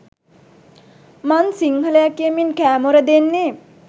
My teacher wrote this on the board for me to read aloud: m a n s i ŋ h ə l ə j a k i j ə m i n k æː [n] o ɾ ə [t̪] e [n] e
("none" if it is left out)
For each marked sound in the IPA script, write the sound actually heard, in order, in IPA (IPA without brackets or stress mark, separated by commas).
m, d̪, nː